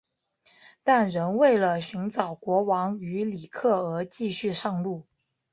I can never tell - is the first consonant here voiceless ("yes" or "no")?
yes